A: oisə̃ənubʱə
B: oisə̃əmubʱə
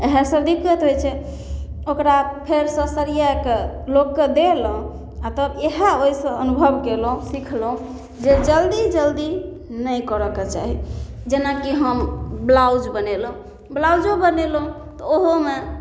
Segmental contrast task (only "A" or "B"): A